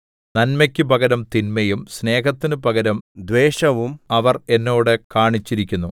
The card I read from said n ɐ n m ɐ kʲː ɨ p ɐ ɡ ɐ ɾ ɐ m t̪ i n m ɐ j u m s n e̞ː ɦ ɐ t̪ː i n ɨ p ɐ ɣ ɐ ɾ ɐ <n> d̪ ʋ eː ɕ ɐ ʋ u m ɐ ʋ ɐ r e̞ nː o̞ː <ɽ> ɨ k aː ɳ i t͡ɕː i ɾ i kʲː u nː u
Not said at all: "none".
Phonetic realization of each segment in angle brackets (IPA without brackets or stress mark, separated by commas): m, ɽ